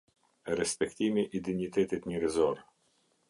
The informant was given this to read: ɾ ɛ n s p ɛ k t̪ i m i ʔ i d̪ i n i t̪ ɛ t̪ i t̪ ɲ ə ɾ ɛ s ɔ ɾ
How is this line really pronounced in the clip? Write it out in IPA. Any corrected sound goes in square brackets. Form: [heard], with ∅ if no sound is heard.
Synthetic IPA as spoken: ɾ ɛ [∅] s p ɛ k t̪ i m i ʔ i d̪ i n i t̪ ɛ t̪ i t̪ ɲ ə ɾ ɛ [z] ɔ ɾ